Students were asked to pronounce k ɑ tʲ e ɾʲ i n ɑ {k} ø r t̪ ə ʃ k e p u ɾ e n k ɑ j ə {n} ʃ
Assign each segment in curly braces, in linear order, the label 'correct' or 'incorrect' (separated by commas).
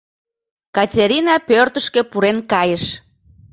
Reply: incorrect, incorrect